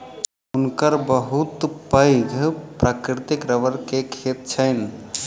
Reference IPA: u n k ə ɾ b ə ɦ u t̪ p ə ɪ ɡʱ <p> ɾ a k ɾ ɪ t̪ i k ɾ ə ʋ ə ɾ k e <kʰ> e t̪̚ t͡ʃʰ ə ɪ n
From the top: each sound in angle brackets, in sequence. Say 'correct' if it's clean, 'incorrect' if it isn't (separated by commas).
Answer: correct, correct